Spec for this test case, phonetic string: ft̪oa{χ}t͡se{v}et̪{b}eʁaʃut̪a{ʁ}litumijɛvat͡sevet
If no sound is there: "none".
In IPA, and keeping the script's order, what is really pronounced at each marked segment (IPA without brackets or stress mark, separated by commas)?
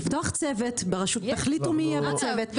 χ, v, b, χ